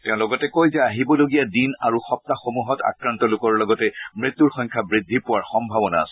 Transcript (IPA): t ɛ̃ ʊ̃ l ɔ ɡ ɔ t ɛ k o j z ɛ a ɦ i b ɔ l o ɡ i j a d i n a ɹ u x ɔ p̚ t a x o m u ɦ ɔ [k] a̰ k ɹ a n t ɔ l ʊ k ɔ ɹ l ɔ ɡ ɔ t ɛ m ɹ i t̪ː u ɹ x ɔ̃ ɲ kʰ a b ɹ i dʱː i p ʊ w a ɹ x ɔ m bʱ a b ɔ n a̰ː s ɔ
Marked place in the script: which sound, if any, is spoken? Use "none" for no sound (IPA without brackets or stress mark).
t